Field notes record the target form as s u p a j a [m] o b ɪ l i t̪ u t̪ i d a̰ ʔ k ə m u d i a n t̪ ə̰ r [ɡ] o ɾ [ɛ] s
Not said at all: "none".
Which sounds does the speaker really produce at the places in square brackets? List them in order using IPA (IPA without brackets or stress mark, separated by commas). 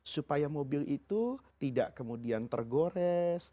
m, ɡ, ɛ